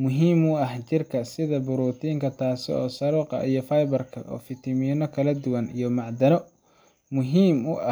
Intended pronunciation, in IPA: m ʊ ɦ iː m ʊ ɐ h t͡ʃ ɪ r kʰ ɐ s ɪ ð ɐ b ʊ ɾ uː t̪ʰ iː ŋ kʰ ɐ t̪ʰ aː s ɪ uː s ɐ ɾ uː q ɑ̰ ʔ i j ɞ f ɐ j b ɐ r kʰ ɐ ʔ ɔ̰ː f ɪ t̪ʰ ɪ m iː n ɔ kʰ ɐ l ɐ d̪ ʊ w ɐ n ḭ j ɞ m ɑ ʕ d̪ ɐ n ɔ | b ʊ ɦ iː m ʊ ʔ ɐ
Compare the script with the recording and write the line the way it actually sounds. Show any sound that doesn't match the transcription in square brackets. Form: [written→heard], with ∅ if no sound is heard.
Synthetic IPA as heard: m ʊ ɦ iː m ʊ ɐ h t͡ʃ ɪ r kʰ ɐ s ɪ ð ɐ b ʊ ɾ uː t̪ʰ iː ŋ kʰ ɐ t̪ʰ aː s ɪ [uː→ɔː] s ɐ ɾ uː q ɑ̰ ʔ i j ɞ f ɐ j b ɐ r kʰ ɐ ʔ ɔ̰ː f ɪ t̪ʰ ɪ m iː n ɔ kʰ ɐ l ɐ d̪ ʊ w ɐ n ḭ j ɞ m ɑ ʕ d̪ ɐ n ɔ | [b→m] ʊ ɦ iː m ʊ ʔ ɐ